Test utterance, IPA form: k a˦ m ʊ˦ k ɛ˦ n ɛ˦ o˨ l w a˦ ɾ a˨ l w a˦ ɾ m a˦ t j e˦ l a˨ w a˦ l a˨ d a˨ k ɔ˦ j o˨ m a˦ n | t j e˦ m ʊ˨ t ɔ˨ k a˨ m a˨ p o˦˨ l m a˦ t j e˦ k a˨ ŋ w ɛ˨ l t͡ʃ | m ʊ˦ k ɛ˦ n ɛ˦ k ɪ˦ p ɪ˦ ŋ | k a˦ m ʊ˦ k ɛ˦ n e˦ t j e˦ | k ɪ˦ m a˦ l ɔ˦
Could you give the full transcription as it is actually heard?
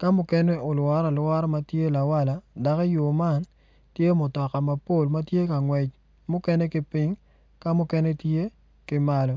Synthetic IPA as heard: k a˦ m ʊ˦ k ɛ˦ n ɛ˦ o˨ l w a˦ ɾ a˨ l w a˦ ɾ m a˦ t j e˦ l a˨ w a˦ l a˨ d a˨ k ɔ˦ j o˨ m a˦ n | t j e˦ m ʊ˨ t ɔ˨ k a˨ m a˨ p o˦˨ l m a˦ t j e˦ k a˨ ŋ w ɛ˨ t͡ʃ | m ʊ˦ k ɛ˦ n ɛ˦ k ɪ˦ p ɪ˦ ŋ | k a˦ m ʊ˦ k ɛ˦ n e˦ t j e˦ | k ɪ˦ m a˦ l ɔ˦